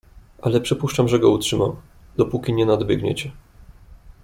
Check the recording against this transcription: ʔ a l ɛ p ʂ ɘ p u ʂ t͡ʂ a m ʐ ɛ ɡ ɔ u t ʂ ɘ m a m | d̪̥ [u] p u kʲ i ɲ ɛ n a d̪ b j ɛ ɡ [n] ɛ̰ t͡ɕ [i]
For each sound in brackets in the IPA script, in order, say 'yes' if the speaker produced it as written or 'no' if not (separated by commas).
no, no, no